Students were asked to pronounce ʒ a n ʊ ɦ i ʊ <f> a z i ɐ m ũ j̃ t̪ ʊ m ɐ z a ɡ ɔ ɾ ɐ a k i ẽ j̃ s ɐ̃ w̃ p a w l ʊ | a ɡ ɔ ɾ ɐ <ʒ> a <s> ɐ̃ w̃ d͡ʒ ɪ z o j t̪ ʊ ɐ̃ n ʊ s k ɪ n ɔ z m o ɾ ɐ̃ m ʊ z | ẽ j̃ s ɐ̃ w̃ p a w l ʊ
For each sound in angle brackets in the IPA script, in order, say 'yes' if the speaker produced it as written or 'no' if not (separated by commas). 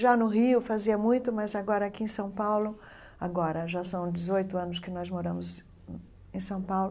yes, yes, yes